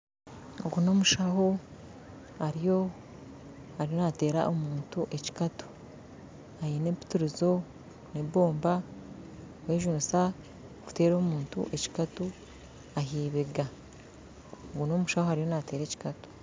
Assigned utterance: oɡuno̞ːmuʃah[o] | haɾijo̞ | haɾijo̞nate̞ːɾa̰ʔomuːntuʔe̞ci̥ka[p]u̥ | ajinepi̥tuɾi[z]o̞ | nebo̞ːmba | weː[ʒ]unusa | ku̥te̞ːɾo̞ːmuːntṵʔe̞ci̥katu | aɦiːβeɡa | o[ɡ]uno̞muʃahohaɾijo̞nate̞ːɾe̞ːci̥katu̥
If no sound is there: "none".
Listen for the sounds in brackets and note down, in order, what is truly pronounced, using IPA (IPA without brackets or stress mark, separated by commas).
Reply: o, t, z, ʒ, ɡ